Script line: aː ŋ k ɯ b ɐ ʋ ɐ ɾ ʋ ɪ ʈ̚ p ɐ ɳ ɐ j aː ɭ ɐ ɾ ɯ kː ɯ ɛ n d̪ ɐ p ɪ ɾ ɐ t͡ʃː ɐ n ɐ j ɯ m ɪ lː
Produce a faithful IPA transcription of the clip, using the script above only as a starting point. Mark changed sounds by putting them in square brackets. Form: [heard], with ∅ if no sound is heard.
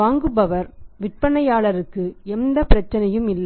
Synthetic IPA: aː ŋ [ɡ] ɯ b ɐ ʋ ɐ ɾ ʋ ɪ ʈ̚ p ɐ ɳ ɐ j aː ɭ ɐ ɾ ɯ kː ɯ ɛ n d̪ ɐ p ɪ ɾ ɐ t͡ʃː ɐ n ɐ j ɯ m ɪ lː